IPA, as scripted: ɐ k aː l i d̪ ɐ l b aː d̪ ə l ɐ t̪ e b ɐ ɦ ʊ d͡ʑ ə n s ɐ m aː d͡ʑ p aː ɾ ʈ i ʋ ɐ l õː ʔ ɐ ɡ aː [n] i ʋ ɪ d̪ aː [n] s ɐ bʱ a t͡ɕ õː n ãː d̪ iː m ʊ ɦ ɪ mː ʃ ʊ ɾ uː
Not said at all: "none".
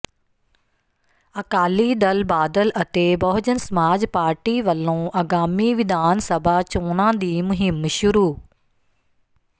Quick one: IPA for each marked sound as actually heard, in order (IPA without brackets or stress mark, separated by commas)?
m, n